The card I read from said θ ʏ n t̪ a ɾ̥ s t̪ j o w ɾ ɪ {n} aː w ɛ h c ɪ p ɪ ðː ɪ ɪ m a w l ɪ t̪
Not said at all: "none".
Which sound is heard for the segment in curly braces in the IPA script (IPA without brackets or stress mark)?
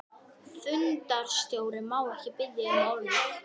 m